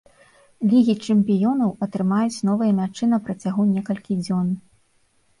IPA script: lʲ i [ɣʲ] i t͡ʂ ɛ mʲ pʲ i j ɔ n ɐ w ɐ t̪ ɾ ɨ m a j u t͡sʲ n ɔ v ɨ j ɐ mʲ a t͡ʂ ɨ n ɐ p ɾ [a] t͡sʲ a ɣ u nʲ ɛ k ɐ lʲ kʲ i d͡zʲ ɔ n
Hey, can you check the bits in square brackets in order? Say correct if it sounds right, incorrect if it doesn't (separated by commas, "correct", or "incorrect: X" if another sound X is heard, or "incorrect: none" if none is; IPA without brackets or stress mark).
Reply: correct, incorrect: ɐ